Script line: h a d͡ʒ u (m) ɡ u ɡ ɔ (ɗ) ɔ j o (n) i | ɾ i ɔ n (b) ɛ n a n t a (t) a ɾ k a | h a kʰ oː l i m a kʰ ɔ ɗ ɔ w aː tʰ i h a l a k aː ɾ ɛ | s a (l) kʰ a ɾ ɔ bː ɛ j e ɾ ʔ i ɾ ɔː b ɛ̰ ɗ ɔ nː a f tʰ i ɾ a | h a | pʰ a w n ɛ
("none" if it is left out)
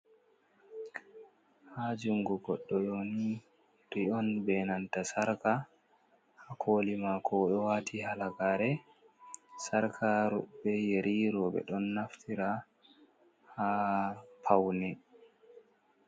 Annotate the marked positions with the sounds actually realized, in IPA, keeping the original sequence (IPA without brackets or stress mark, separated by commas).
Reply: ŋ, ɗː, n, b, s, ɾ